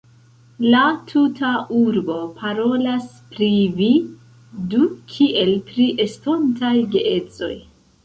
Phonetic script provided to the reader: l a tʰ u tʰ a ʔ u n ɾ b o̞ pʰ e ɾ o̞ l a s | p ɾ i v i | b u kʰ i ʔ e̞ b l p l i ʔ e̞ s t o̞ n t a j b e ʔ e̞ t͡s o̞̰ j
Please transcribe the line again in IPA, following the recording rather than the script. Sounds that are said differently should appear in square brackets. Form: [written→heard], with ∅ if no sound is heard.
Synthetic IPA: l a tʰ u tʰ a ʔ u [n→∅] ɾ b o̞ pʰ [e→a] ɾ o̞ l a s | p ɾ i v i | [b→d] u kʰ i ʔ e̞ [b→∅] l p [l→ɾ] i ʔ e̞ s t o̞ n t a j [b→ɡ] e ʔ e̞ t͡s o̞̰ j